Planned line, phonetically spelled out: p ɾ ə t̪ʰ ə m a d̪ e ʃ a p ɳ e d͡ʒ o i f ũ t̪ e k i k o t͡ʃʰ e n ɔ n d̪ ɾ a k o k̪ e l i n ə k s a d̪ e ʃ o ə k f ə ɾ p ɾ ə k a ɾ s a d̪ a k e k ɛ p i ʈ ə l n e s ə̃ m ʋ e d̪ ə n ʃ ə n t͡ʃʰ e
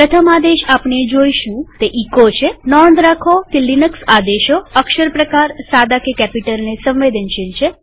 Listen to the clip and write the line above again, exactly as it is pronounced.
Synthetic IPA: p ɾ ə t̪ʰ ə m a d̪ e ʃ a p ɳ e d͡ʒ o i ʃ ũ t̪ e ʔ i k o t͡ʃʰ e n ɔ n d̪ ɾ a kʰ o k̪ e l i n ə k s a d̪ e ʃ o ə k ʃ ə ɾ p ɾ ə k a ɾ s a d̪ a k e k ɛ p i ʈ ə l n e s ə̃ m ʋ e d̪ ə n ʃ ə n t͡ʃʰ e